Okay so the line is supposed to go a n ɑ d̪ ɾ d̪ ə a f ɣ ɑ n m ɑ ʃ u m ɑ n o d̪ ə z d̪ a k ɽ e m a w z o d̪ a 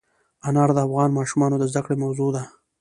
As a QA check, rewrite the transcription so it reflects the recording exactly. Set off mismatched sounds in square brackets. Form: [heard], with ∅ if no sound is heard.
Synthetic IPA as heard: a n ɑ [∅] ɾ d̪ ə a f ɣ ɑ n m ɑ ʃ u m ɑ n o d̪ ə z d̪ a k ɽ e m a w z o d̪ a